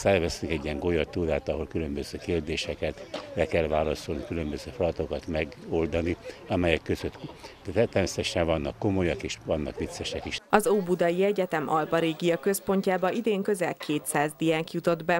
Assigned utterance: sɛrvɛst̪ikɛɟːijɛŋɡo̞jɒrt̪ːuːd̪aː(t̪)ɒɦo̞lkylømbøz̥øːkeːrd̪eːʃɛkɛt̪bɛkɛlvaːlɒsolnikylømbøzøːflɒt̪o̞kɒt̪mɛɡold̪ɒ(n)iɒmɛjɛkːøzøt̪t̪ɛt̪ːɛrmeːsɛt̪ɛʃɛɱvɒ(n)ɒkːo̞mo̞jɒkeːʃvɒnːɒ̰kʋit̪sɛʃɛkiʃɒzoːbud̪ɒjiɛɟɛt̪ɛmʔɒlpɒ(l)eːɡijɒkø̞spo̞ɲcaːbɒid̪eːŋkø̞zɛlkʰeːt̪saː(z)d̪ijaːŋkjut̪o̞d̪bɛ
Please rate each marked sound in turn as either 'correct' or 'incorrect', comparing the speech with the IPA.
correct, correct, incorrect: nː, incorrect: ɾ, correct

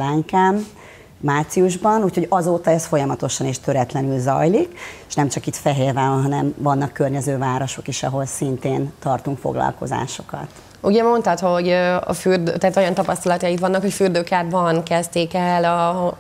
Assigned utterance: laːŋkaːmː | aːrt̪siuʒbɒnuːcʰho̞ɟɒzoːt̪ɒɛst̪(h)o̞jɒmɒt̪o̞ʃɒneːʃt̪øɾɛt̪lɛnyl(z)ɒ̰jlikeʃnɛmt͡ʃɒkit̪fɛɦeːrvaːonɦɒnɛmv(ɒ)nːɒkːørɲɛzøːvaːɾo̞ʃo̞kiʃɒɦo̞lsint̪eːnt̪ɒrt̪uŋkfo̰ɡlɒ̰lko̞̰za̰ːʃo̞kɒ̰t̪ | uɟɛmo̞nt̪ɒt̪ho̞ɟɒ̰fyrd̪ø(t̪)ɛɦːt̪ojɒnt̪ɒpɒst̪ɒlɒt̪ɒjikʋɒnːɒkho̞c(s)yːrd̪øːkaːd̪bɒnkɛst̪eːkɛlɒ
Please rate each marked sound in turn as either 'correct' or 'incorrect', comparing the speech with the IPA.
incorrect: f, correct, correct, correct, incorrect: f

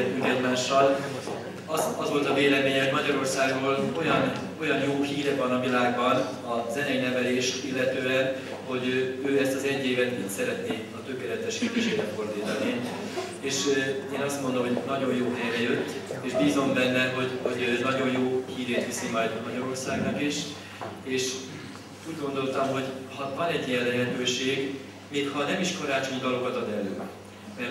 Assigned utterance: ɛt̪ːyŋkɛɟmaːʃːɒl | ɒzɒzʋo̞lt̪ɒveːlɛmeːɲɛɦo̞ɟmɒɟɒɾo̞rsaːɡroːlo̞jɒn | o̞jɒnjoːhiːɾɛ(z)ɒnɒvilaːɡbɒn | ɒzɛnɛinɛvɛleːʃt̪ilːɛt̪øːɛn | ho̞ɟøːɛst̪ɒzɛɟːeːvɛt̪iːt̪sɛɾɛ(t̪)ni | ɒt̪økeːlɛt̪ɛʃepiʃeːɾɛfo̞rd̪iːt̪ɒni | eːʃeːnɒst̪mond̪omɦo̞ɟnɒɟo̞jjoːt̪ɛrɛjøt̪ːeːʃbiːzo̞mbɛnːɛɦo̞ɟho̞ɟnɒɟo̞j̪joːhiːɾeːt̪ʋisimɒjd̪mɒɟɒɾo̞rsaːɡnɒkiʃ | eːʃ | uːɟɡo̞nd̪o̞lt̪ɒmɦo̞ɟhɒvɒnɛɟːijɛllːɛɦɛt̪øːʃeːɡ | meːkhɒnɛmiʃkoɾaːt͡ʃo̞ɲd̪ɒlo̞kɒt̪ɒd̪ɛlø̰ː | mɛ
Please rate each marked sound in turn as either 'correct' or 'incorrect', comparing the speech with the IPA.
incorrect: v, correct

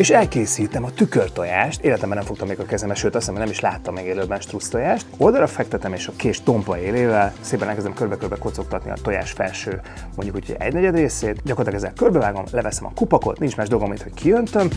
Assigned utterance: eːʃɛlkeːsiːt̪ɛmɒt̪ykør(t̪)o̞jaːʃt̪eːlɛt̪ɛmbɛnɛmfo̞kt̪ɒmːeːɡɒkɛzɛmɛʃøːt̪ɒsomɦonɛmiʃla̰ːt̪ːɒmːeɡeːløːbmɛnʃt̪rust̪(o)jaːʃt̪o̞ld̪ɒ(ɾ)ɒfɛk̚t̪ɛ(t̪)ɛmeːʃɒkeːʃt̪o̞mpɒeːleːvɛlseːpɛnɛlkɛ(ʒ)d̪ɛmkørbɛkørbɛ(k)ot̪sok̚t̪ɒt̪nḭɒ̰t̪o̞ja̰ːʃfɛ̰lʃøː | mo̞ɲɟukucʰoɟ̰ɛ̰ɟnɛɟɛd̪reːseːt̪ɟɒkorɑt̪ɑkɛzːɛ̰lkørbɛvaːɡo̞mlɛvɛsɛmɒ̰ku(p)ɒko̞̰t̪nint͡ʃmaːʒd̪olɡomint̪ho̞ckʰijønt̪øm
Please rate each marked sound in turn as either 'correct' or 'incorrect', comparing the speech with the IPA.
correct, correct, correct, correct, incorrect: z, correct, correct

